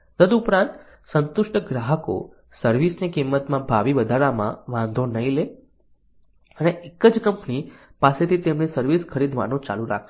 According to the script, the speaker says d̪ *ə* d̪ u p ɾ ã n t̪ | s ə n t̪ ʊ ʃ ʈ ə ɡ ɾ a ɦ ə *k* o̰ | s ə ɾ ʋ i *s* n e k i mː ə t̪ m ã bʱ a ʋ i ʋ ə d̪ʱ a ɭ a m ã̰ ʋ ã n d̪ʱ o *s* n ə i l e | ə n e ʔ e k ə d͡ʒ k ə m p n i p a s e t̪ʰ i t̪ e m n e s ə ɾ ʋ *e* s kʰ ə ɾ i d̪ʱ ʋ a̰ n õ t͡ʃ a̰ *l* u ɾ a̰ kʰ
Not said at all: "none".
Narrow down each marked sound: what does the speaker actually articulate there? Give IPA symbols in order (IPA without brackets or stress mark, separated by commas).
ə, k, s, none, i, l